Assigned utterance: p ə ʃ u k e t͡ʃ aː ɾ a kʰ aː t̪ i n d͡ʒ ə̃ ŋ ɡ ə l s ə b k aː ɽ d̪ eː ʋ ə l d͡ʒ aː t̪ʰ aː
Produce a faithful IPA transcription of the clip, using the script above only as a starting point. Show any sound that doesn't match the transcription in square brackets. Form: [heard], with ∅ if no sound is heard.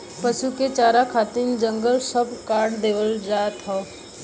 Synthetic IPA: p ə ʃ u k e t͡ʃ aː ɾ a kʰ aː t̪ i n d͡ʒ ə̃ ŋ ɡ ə l s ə b k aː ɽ d̪ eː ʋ ə l d͡ʒ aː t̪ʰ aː